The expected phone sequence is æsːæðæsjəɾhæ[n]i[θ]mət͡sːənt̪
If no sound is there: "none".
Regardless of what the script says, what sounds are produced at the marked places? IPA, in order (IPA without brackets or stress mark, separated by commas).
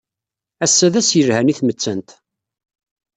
n, θ